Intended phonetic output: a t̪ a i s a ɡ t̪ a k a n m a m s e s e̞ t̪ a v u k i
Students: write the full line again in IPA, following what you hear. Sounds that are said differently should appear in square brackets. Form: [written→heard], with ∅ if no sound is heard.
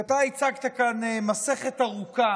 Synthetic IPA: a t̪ a i [s→t͡s] a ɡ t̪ a k a n m a [m→∅] s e [s→χ] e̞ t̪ a [v→ʁ] u k [i→a]